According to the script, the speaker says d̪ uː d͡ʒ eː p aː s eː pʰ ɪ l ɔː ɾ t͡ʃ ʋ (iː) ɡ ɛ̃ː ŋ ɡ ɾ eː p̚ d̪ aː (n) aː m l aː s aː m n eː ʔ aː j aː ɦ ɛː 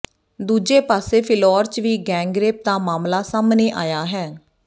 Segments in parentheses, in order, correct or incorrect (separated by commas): correct, incorrect